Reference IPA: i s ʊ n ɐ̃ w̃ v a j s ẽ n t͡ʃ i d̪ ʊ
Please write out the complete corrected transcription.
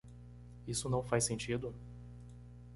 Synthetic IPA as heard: i s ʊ n ɐ̃ w̃ f a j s ẽ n t͡ʃ i d̪ ʊ